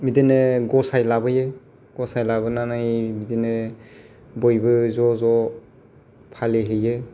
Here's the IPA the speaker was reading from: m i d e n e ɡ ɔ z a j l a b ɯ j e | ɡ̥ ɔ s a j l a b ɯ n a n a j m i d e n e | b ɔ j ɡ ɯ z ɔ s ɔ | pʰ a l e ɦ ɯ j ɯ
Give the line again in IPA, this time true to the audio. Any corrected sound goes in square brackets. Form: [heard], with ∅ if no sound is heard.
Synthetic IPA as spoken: m i d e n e ɡ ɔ [s] a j l a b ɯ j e | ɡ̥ ɔ s a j l a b ɯ n a n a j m i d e n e | b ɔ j [b] ɯ z ɔ [z] ɔ | pʰ a l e ɦ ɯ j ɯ